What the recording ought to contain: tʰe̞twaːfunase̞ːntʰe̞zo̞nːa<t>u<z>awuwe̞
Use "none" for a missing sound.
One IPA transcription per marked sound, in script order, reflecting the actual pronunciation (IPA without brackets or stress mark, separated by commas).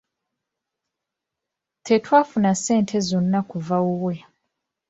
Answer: k, v